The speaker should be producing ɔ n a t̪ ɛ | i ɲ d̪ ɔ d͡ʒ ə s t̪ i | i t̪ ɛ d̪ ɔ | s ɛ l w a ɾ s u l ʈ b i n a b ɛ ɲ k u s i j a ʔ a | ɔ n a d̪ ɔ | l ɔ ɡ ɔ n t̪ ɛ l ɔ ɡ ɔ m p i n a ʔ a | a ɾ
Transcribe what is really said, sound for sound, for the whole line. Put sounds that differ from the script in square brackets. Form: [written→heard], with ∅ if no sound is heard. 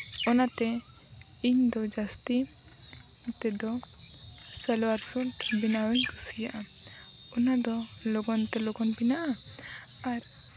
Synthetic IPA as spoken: ɔ n a t̪ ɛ | i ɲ d̪ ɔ d͡ʒ [ə→a] s t̪ i | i t̪ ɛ d̪ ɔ | s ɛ l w a ɾ s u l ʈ b i n a [b→w] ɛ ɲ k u s i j a ʔ a | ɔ n a d̪ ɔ | l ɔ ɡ ɔ n t̪ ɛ l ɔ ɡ ɔ [m→n] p i n a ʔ a | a ɾ

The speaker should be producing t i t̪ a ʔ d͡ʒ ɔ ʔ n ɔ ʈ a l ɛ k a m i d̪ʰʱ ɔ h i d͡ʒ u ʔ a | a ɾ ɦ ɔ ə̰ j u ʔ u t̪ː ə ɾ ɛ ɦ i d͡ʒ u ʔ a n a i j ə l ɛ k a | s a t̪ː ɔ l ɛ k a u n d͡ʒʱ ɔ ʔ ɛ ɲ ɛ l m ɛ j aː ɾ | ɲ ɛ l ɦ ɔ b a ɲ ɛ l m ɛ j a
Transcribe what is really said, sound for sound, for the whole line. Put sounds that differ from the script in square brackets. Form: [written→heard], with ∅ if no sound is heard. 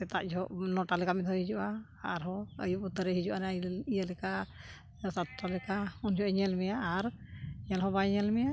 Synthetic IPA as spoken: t [i→ɛ] t̪ a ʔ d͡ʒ ɔ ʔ n ɔ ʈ a l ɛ k a m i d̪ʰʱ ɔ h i d͡ʒ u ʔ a | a ɾ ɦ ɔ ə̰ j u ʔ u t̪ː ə ɾ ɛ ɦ i d͡ʒ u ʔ a n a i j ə l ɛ k a | s a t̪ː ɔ l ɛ k a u n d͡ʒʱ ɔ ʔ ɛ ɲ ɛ l m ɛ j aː ɾ | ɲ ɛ l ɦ ɔ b a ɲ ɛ l m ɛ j a

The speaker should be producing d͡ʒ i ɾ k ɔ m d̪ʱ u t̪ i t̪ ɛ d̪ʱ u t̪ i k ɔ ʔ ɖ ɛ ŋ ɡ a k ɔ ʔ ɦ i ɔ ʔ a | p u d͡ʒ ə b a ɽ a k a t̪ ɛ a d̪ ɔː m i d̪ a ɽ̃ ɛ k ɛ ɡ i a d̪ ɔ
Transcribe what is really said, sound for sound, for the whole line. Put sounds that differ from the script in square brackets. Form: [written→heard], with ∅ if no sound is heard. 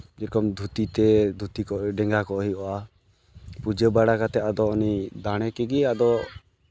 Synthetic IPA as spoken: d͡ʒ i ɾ k ɔ m d̪ʱ u t̪ i t̪ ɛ d̪ʱ u t̪ i k ɔ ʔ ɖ ɛ ŋ ɡ a k ɔ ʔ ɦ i ɔ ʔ a | p u d͡ʒ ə b a ɽ a k a t̪ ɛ a d̪ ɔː [m→n] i d̪ a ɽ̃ ɛ k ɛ ɡ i a d̪ ɔ

